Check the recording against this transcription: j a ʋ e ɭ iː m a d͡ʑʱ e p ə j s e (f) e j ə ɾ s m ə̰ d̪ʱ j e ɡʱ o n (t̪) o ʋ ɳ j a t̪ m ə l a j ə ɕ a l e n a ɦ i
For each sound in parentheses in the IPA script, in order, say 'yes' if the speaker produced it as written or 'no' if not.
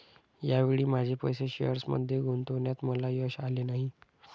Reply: no, yes

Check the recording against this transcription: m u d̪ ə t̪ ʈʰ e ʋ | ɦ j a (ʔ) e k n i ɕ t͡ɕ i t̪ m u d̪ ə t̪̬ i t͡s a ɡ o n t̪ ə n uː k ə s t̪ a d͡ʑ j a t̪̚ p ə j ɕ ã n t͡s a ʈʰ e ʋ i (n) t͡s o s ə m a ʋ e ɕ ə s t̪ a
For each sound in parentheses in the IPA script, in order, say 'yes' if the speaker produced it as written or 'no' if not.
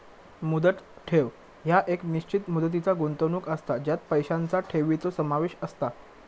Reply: yes, no

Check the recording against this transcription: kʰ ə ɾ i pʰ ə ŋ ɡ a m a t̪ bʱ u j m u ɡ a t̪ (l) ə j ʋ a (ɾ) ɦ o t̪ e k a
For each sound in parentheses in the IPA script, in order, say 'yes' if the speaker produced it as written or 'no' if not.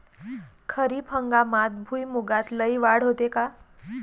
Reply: yes, no

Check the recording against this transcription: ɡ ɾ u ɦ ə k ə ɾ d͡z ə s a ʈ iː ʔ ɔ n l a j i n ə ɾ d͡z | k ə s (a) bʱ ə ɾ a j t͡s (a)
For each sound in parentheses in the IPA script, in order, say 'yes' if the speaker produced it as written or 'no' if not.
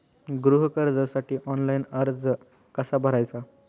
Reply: yes, yes

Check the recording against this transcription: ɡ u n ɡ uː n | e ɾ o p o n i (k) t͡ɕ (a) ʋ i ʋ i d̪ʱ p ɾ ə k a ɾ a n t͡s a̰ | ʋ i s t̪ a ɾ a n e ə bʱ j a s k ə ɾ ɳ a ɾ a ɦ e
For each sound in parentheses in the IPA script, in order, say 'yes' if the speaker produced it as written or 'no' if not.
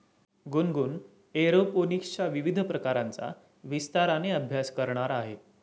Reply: yes, yes

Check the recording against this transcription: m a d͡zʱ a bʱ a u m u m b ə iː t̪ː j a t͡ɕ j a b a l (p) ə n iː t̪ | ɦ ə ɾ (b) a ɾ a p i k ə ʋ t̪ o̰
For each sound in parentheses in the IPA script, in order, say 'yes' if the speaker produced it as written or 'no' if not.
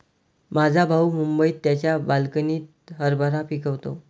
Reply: no, yes

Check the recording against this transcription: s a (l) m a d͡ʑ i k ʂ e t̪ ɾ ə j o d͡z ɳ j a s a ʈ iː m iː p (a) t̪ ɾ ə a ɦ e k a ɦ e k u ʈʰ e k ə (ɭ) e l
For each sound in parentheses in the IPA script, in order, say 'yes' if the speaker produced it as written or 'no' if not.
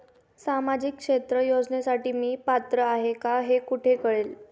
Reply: no, yes, yes

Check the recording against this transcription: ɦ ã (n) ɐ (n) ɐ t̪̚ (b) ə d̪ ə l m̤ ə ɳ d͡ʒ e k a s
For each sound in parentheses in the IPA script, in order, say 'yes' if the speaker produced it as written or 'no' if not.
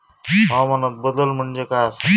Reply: no, yes, yes

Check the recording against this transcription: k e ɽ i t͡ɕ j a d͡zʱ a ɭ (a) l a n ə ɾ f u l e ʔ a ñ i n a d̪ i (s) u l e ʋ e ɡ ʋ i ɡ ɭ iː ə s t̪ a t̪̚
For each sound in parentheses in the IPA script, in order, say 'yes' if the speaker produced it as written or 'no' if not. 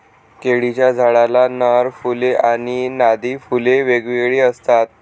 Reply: yes, no

